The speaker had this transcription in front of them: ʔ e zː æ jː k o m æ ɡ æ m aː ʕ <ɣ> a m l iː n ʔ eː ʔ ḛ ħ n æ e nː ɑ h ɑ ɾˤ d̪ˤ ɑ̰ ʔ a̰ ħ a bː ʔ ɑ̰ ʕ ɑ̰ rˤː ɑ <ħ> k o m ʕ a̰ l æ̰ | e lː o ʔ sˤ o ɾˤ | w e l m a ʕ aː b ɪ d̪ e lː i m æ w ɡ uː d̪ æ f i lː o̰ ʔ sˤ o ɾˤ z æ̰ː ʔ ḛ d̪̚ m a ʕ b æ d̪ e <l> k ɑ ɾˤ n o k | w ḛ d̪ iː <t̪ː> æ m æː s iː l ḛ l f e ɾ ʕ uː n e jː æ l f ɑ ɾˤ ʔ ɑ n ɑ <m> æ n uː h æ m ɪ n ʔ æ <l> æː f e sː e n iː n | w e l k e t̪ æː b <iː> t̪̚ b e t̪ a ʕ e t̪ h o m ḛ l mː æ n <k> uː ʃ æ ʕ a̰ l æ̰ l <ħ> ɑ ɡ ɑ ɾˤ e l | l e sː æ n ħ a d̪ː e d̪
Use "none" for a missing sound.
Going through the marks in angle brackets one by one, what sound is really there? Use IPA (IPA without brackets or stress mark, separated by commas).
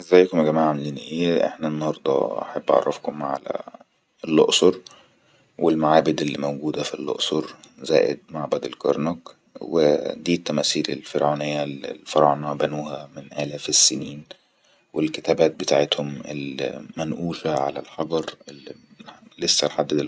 ʕ, f, l, t̪ː, b, l, æː, ʔ, ħ